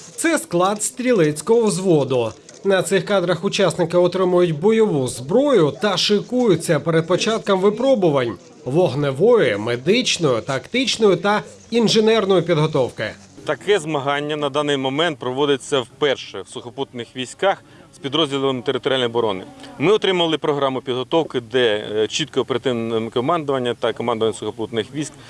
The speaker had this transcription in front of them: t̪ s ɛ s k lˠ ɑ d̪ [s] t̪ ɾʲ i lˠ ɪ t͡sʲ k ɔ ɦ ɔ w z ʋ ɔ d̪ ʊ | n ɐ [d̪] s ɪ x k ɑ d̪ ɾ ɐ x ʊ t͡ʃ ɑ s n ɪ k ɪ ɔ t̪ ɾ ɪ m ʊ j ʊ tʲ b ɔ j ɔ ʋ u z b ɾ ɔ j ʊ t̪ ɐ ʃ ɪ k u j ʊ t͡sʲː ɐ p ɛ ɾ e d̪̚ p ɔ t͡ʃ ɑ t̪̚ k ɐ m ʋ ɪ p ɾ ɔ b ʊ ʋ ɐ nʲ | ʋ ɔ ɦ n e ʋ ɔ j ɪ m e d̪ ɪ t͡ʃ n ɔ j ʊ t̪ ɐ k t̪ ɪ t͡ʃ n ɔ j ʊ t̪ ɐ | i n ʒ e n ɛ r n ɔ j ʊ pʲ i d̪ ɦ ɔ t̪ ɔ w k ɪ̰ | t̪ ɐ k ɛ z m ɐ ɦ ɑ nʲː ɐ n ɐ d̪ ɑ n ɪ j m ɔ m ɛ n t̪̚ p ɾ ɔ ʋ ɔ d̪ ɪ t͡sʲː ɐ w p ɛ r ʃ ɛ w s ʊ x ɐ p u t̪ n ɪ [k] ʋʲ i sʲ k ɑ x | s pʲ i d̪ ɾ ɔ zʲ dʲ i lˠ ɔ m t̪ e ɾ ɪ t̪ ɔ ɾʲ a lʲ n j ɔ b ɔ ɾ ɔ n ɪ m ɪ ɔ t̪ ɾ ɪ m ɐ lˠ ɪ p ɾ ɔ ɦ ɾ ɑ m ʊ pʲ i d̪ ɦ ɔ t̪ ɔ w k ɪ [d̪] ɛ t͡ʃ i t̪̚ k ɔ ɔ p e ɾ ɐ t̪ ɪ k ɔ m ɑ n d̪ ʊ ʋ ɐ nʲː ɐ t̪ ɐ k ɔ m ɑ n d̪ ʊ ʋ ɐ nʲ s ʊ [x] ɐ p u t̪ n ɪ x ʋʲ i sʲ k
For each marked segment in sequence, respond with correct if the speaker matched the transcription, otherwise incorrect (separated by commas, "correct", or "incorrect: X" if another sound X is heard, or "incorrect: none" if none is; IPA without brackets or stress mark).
correct, incorrect: t̪, incorrect: x, correct, correct